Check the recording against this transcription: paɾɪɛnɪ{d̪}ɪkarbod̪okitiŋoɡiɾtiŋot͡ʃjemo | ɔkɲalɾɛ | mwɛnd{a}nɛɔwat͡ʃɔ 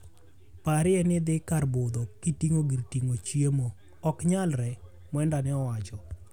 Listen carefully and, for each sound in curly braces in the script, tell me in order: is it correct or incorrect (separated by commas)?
correct, correct